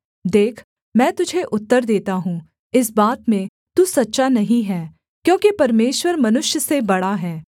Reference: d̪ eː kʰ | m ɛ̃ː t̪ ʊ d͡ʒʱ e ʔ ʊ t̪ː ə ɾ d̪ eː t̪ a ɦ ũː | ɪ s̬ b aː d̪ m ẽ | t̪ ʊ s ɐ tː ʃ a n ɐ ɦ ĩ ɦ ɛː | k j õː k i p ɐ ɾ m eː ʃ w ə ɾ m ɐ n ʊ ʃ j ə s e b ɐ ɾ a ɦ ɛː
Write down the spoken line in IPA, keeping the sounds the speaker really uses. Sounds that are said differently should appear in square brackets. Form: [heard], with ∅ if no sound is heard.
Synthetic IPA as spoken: d̪ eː kʰ | m ɛ̃ː t̪ ʊ d͡ʒʱ e ʔ ʊ t̪ː ə ɾ d̪ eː t̪ a ɦ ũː | ɪ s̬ b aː [t̪] m ẽ | t̪ [u] s ɐ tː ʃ a n ɐ ɦ ĩ ɦ ɛː | k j õː k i p ɐ ɾ m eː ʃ w ə ɾ m ɐ n ʊ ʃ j ə s e b ɐ [ɽ] a ɦ ɛː